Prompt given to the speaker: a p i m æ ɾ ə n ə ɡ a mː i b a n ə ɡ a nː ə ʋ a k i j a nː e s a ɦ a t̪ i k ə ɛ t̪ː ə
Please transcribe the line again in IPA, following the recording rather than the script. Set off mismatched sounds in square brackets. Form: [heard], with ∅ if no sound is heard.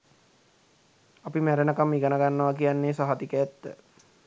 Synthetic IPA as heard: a p i m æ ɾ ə n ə [k] a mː i [ɡ] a n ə ɡ a nː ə ʋ a k i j a nː e s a ɦ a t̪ i k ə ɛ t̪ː ə